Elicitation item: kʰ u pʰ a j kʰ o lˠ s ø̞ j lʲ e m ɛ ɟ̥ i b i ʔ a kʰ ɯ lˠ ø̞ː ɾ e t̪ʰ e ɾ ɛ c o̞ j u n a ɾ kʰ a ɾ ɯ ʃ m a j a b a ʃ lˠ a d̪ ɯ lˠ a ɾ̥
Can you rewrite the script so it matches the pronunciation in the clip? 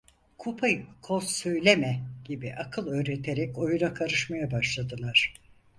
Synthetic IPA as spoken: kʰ u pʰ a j kʰ o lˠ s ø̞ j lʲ e m ɛ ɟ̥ i b i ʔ a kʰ ɯ lˠ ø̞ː ɾ e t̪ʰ e ɾ ɛ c o̞ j u n a kʰ a ɾ ɯ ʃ m a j a b a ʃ lˠ a d̪ ɯ lˠ a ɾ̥